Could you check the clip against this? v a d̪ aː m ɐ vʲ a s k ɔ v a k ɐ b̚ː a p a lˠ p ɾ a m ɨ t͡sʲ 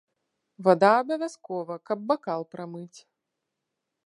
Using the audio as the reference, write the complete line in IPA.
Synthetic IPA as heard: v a d̪ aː b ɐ vʲ a s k ɔ v ɐ k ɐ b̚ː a k a lˠ p ɾ a m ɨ t͡sʲ